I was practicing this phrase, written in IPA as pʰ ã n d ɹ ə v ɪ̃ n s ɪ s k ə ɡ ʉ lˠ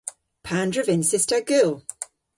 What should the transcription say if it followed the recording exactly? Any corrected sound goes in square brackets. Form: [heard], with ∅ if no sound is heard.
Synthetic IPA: pʰ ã n d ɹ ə v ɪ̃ n s ɪ s [t] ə ɡ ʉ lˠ